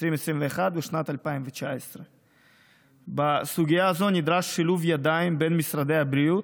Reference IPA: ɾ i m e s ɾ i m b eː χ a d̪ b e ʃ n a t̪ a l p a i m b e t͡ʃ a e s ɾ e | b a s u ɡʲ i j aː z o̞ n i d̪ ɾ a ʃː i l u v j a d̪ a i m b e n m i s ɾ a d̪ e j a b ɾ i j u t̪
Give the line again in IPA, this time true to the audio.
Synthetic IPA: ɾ i m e s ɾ i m v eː χ a d̪ b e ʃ n a t̪ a l p a i m v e t͡ʃ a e s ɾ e | b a s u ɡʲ i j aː z o̞ n i d̪ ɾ a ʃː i l u v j a d̪ a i m b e n m i s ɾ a d̪ e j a b ɾ i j u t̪